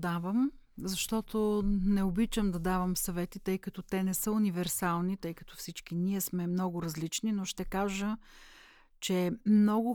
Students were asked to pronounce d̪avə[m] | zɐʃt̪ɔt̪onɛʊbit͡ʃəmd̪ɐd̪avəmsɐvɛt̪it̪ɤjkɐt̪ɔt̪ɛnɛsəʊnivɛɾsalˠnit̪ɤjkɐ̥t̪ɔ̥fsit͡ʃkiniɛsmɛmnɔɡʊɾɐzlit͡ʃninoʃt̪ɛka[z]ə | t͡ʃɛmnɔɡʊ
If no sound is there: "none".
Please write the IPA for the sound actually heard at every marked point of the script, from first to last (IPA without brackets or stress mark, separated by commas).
m, ʒ